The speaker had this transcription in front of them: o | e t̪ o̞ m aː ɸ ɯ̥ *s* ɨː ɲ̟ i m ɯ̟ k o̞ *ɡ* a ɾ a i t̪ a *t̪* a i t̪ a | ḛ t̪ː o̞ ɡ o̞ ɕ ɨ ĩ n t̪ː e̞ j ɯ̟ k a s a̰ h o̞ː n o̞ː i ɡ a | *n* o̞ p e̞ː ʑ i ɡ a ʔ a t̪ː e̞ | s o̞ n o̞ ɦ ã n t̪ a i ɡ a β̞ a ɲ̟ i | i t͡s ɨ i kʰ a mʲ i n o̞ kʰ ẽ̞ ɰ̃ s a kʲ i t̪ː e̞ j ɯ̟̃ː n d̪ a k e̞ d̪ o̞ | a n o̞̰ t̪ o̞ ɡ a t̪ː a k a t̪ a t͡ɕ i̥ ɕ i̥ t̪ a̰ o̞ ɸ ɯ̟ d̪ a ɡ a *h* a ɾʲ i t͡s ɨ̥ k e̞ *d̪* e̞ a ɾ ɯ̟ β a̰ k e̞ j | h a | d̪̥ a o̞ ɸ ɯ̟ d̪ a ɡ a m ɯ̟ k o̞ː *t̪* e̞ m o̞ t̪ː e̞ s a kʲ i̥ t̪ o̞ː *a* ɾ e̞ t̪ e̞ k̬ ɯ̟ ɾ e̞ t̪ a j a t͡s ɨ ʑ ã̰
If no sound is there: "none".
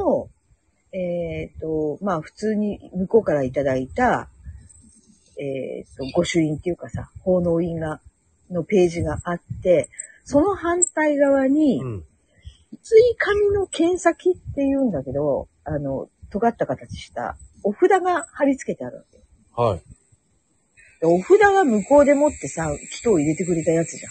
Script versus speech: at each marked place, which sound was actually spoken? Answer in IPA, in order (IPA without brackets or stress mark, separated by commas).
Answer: t͡s, k, d̪, n, h, t̪, d̪, i